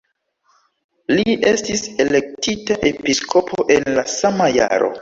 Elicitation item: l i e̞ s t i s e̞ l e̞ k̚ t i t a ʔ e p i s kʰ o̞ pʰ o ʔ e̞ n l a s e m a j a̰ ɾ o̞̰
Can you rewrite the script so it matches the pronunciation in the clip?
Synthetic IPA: l i e̞ s t i s e̞ l e̞ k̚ t i t a ʔ e p i s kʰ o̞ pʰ o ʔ e̞ n l a s a m a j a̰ ɾ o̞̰

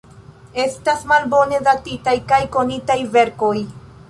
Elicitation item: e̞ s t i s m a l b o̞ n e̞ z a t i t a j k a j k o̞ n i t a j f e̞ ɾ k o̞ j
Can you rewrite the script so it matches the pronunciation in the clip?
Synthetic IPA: e̞ s t a s m a l b o̞ n e̞ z a t i t a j k a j k o̞ n i t a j v e̞ ɾ k o̞ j

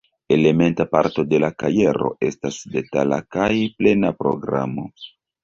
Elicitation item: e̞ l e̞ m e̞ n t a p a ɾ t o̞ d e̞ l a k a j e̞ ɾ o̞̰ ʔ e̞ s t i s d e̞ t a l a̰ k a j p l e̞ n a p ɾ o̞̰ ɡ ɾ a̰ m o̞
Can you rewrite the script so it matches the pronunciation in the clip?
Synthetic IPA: e̞ l e̞ m e̞ n t a p a ɾ t o̞ d e̞ l a k a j e̞ ɾ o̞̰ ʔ e̞ s t a s d e̞ t a l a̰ k a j p l e̞ n a p ɾ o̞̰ ɡ ɾ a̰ m o̞

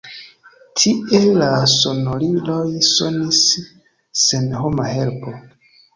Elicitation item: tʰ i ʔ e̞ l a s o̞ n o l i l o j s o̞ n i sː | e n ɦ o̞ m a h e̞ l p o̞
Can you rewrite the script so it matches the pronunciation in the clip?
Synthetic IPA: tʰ i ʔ e̞ l a s o̞ n o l i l o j s o̞ n i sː | e n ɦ o̞ m a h e̞ l p o̞

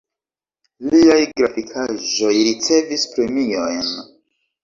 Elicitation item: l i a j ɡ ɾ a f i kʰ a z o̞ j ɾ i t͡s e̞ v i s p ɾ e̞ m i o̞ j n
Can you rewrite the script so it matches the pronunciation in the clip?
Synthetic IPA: l i a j ɡ ɾ a f i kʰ a ʒ o̞ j ɾ i t͡s e̞ v i s p ɾ e̞ m i o̞ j n

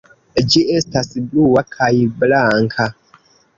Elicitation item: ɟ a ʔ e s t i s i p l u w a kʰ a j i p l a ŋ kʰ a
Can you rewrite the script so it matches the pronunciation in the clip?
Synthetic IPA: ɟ i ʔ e s t a s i b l u w a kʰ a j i b l a ŋ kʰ a

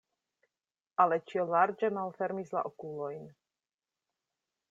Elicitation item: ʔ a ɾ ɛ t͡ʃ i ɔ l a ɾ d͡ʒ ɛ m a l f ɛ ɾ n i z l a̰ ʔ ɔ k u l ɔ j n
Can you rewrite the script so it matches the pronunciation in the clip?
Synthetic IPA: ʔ a l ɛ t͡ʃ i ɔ l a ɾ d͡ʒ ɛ m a l f ɛ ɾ m i z l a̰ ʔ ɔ k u l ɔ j n

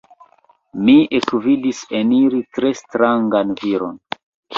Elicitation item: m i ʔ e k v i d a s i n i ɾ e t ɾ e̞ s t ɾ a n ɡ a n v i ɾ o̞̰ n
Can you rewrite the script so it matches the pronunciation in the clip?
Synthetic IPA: m i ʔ e k v i d i s e n i ɾ i t ɾ e̞ s t ɾ a ŋ ɡ a n v i ɾ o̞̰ n

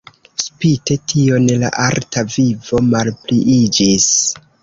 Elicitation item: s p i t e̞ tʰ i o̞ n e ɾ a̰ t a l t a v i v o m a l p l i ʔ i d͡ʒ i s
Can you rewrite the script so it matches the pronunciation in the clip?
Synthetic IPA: s p i t e̞ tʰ i o̞ n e l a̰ ʔ a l t a v i v o m a l p l i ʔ i d͡ʒ i s

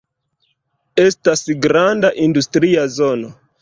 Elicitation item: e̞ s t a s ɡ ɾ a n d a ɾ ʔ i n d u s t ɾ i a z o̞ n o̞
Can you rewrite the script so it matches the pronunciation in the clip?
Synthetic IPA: e̞ s t a s ɡ ɾ a n d a ʔ i n d u s t ɾ i a z o̞ n o̞

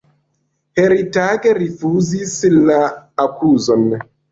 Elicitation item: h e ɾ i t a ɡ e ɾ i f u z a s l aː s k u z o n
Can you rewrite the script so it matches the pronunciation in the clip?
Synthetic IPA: h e ɾ i t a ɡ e ɾ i f u z i s l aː k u z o n

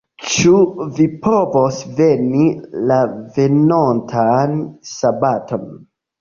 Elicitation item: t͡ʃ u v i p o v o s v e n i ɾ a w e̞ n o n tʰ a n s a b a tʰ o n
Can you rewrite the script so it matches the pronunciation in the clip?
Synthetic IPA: t͡ʃ u v i p o v o s v e n i l a v e̞ n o n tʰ a n s a b a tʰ o n

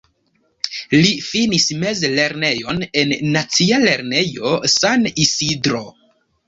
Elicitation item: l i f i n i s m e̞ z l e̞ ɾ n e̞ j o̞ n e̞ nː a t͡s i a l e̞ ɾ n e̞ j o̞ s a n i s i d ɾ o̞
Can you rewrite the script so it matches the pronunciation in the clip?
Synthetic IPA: l i f i n i s m e̞ z l e̞ ɾ n e̞ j o̞ n e̞ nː a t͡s i a l e̞ ɾ n e̞ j o̞ s a n i s i d ɾ o̞

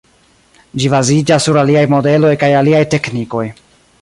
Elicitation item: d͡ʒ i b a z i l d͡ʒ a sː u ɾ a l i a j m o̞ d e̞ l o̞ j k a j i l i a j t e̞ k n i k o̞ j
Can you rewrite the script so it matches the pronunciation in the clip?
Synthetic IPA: d͡ʒ i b a z i d͡ʒ a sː u ɾ a l i a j m o̞ d e̞ l o̞ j k a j a l i a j t e̞ k n i k o̞ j

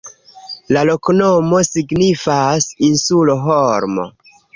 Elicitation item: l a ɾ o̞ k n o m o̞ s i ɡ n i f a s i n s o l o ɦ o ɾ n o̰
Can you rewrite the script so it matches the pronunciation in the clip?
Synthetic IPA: l a l o̞ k n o m o̞ s i ɡ n i f a s i n s u l o ɦ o ɾ m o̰

